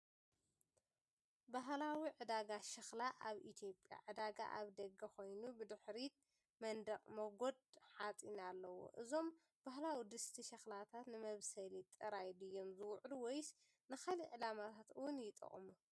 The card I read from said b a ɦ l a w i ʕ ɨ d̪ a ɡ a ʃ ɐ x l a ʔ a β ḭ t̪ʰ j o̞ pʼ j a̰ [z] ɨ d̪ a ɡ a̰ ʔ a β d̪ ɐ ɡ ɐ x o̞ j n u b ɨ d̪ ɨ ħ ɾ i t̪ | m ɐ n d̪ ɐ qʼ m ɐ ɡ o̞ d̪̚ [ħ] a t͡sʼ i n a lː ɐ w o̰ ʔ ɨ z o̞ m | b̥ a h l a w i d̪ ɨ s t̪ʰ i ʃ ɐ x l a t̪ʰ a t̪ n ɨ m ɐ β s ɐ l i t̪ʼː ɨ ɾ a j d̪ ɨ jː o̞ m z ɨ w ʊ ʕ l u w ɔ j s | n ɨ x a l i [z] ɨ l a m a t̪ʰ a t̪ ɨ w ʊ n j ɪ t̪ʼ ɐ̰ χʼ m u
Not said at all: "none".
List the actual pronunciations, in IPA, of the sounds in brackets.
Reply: ʕ, ħ, ʕ

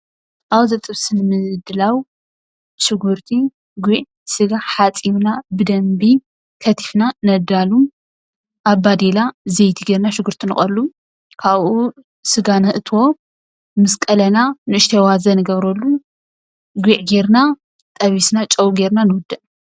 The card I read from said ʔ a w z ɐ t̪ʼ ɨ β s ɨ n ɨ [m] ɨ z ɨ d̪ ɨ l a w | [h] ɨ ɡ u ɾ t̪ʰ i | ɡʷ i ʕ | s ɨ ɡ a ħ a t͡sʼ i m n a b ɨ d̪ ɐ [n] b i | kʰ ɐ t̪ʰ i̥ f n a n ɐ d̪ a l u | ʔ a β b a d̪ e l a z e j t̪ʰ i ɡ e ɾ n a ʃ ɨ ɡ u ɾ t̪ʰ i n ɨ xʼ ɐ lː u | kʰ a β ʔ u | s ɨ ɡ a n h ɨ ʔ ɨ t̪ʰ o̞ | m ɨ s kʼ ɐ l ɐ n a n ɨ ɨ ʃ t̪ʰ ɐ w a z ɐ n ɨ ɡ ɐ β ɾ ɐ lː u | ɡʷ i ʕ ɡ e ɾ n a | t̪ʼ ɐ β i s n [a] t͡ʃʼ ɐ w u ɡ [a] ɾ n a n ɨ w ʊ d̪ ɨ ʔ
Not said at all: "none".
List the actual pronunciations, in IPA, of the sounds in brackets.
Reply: m, ʃ, m, a, e

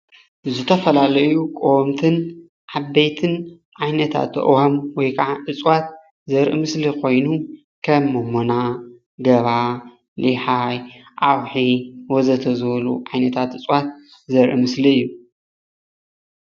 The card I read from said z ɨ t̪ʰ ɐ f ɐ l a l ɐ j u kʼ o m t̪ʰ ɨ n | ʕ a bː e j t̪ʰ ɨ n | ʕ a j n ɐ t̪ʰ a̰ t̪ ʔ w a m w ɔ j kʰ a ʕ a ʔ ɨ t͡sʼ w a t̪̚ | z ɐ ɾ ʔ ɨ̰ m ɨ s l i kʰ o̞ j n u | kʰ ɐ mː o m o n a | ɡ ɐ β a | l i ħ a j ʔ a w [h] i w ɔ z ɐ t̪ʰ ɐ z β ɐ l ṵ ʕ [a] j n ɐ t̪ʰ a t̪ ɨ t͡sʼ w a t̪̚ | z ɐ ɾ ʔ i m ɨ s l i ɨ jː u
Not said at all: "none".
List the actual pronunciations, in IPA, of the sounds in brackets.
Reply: ħ, a

